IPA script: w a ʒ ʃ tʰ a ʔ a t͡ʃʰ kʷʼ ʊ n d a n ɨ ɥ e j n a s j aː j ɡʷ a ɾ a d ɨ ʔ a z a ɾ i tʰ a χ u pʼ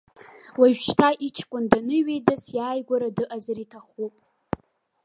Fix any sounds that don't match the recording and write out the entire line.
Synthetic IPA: w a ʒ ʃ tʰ a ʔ i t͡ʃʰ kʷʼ ʊ n d a n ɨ ɥ e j d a s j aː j ɡʷ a ɾ a d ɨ ʔ a z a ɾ i tʰ a χ u pʼ